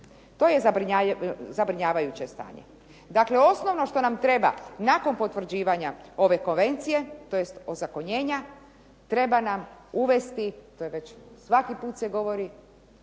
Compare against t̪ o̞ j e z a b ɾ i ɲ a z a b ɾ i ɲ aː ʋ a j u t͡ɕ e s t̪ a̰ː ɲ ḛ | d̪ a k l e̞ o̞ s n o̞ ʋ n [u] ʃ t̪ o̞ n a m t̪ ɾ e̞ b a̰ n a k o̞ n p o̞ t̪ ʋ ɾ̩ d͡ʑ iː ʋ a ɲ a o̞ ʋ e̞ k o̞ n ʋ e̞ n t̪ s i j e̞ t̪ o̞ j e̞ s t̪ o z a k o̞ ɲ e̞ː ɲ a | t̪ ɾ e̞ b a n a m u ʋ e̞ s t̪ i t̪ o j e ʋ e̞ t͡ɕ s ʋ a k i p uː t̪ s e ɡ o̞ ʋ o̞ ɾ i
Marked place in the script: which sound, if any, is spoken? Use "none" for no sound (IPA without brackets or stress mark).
o